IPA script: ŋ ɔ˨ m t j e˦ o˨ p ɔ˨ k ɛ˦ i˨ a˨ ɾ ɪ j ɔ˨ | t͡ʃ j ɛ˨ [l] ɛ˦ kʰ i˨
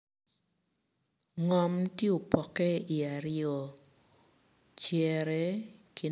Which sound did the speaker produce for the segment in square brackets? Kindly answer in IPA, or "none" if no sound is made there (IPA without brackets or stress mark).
ɾ